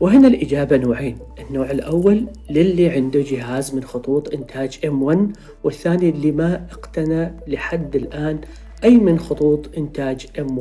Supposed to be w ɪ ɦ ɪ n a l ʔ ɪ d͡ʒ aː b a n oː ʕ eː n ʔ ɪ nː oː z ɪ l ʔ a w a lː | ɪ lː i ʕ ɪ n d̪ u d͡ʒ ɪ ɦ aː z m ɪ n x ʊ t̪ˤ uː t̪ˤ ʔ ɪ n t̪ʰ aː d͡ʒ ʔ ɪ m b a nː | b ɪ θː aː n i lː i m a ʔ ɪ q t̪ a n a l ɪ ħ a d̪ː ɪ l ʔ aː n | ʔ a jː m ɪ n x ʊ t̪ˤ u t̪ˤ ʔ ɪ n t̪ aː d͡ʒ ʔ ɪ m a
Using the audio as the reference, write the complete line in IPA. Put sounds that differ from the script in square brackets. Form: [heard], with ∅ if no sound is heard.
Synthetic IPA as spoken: w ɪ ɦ ɪ n a l ʔ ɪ d͡ʒ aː b a n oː ʕ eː n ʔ ɪ nː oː [ʕ] ɪ l ʔ a [wː] a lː | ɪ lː i ʕ ɪ n d̪ u d͡ʒ ɪ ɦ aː z m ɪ n x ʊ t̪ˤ uː t̪ˤ ʔ ɪ n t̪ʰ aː d͡ʒ ʔ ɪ m [w] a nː | [w] ɪ θː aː n i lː i m a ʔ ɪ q t̪ a n a l ɪ ħ a d̪ː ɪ l ʔ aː n | ʔ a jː m ɪ n x ʊ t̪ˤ [uː] t̪ˤ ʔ ɪ n t̪ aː d͡ʒ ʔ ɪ m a